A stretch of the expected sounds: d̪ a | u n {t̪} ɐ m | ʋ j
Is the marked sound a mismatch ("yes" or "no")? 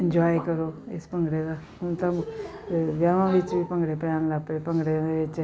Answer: no